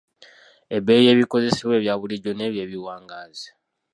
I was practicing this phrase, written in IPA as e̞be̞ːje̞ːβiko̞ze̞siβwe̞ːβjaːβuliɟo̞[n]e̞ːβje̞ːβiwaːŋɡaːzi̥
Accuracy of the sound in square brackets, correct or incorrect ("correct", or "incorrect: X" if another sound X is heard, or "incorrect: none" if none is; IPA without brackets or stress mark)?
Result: correct